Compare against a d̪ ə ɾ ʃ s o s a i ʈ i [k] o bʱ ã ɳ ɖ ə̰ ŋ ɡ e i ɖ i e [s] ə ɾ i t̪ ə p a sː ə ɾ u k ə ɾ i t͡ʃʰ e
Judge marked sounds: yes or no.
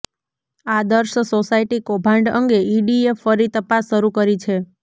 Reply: yes, no

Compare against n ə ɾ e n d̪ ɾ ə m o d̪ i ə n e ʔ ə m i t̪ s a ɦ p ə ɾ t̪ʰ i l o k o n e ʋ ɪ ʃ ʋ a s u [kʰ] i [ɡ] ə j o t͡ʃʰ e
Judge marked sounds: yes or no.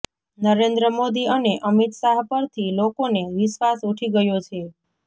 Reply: no, yes

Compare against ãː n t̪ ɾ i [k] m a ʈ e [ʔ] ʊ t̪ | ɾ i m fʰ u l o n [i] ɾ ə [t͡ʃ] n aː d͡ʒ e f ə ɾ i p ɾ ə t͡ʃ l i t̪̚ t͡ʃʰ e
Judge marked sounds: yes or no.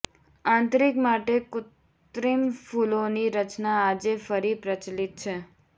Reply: yes, no, yes, yes

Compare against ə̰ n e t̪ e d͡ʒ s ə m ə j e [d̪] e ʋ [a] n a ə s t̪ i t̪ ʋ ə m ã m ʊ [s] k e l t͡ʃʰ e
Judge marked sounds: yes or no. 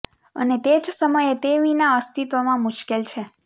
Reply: no, no, no

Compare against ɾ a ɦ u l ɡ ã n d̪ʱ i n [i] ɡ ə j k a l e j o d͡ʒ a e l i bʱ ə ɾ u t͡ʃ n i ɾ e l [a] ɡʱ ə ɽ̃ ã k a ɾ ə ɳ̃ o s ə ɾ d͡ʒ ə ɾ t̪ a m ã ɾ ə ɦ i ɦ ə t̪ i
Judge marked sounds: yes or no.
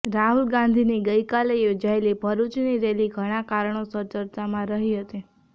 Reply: yes, no

